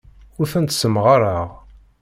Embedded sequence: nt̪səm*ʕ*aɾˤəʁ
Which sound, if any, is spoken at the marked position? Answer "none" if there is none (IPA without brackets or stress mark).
ʁ